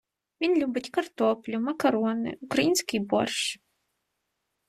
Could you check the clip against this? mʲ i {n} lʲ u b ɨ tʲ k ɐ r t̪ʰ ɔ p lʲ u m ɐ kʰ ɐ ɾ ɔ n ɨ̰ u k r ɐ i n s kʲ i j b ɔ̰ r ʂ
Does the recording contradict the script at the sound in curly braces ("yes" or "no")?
no